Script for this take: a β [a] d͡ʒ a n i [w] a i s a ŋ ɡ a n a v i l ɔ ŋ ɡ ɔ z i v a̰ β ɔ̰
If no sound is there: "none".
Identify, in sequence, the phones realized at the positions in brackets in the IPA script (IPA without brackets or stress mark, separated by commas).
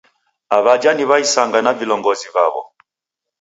a, β